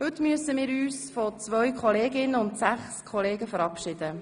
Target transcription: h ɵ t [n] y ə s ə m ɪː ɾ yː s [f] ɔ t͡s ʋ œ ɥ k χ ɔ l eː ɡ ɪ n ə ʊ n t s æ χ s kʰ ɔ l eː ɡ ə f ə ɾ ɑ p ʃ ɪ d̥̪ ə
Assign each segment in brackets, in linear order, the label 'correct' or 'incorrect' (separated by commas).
incorrect, correct